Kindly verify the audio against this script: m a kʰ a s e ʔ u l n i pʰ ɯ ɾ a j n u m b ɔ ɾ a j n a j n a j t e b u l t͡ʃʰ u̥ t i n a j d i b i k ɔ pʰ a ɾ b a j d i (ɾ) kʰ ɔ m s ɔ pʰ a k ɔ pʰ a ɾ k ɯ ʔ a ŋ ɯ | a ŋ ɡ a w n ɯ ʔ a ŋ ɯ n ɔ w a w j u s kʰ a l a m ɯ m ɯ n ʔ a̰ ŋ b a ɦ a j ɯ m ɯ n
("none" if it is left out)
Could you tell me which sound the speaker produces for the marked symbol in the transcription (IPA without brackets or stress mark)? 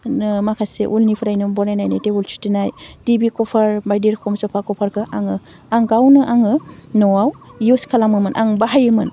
ɾ